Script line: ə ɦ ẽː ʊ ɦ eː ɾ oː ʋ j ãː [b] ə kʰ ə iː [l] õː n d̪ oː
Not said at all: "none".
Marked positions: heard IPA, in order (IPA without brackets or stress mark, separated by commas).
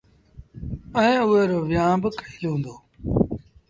b, l